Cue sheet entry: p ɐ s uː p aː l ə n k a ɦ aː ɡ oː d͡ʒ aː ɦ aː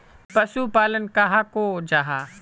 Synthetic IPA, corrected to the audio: p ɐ s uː p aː l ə n k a ɦ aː k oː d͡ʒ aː ɦ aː